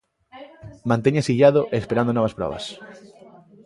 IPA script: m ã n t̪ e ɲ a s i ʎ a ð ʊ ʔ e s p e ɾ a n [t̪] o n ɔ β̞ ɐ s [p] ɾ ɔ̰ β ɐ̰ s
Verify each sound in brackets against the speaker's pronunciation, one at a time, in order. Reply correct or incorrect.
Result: incorrect: d̪, correct

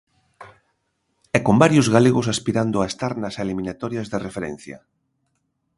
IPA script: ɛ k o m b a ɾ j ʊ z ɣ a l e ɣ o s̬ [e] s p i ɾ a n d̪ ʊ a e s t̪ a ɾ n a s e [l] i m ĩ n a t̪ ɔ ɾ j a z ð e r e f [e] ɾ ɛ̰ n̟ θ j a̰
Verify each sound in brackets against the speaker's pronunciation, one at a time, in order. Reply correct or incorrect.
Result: incorrect: a, correct, correct

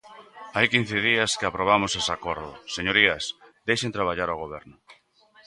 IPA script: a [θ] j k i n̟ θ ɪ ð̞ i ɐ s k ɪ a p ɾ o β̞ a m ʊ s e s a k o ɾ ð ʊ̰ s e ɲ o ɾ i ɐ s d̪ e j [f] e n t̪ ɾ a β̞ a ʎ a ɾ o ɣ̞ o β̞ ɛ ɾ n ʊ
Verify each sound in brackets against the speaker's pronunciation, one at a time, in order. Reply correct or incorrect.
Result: incorrect: none, incorrect: ʃ

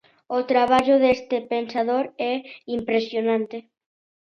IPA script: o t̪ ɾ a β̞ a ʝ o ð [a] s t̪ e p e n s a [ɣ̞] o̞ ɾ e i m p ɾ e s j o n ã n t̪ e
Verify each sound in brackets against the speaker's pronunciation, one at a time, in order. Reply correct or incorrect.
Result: incorrect: e, incorrect: ð̞

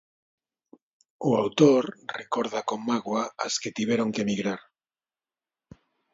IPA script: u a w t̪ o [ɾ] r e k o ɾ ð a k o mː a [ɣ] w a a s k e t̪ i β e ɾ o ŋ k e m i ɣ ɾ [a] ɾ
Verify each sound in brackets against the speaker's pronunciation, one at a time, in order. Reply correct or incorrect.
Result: correct, correct, correct

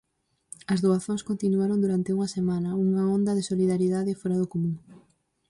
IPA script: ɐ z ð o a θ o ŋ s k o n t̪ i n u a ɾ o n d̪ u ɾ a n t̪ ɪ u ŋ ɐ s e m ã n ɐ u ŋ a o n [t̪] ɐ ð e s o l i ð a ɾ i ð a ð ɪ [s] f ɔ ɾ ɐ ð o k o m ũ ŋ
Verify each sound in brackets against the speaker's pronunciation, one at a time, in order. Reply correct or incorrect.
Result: incorrect: d̪, incorrect: none

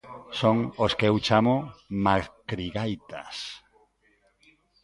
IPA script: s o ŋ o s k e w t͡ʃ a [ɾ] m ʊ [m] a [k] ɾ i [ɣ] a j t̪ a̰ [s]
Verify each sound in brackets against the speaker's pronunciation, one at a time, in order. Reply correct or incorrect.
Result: incorrect: none, correct, correct, correct, correct

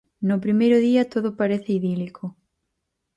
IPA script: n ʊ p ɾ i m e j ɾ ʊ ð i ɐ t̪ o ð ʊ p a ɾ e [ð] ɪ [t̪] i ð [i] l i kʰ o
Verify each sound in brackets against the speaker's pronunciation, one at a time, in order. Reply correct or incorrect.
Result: incorrect: θ, incorrect: none, correct

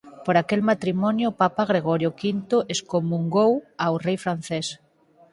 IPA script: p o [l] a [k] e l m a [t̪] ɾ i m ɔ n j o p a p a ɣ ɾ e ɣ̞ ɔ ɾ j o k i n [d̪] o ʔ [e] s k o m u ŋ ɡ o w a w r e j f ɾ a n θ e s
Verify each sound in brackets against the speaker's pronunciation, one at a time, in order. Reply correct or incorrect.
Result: incorrect: ɾ, correct, correct, incorrect: t̪, correct

